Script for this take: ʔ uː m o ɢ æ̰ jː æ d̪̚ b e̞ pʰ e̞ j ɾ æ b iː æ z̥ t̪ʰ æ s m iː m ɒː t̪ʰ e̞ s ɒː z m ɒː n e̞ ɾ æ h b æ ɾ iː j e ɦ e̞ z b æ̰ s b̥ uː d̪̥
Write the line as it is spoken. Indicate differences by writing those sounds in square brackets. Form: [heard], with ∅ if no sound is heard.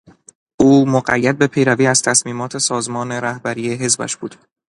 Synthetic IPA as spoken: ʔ uː m o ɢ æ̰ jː æ d̪̚ b e̞ pʰ e̞ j ɾ æ [v] iː æ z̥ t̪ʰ æ s m iː m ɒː t̪ʰ e̞ s ɒː z m ɒː n e̞ ɾ æ h b æ ɾ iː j e ɦ e̞ z b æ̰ [ʃ] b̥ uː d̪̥